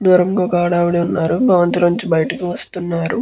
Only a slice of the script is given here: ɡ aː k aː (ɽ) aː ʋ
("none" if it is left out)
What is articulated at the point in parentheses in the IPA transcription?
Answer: ɽ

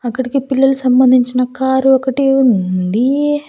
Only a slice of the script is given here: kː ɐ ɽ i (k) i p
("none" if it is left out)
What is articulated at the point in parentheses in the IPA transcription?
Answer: k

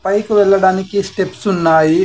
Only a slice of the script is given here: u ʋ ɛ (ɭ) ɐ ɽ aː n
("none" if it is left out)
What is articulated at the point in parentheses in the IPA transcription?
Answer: ɭː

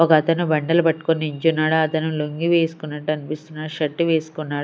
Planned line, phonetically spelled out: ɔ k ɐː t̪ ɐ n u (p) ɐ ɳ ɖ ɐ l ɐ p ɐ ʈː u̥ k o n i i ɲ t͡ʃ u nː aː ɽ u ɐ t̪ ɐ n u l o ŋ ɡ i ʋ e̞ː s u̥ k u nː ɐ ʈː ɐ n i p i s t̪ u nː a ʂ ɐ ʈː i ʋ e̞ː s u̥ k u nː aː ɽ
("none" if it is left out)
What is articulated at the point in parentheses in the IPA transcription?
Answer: b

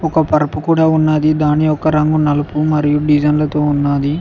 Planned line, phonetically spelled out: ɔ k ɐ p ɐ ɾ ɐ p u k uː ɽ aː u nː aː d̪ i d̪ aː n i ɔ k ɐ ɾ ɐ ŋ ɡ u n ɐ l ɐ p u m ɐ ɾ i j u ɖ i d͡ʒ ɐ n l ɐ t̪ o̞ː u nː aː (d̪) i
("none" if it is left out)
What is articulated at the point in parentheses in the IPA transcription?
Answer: d̪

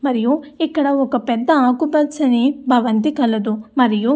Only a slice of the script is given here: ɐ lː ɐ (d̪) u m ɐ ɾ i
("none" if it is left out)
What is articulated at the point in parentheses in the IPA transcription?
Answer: d̪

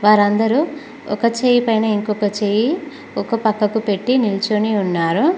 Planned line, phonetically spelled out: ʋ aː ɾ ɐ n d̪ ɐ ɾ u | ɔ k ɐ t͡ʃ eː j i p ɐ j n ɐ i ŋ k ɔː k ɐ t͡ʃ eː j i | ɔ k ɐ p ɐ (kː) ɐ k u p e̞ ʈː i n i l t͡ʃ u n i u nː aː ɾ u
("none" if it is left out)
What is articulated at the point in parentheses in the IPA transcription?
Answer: kː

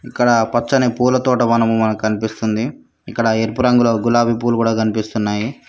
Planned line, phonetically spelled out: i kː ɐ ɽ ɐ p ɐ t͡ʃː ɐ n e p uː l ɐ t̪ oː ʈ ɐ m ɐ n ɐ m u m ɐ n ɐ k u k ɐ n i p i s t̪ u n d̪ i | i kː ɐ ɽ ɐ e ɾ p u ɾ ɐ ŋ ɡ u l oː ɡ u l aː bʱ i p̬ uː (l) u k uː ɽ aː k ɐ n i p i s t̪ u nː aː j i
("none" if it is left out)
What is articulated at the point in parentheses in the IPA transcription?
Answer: l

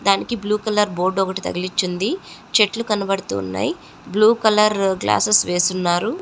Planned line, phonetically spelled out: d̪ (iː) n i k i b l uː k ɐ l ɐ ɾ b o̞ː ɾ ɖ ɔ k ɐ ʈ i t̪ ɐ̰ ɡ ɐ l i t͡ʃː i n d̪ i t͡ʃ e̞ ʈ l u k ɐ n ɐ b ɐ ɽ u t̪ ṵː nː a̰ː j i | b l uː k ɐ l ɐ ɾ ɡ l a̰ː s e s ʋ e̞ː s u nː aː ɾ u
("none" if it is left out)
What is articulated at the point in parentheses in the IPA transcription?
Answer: aː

